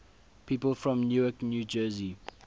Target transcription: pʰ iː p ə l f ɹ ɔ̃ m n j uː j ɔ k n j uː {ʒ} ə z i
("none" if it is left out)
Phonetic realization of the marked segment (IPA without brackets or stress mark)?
d͡ʒ